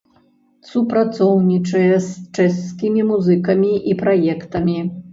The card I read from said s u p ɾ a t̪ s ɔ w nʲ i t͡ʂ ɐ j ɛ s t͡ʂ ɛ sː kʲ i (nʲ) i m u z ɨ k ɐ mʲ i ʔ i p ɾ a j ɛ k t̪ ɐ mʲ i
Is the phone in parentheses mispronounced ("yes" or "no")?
yes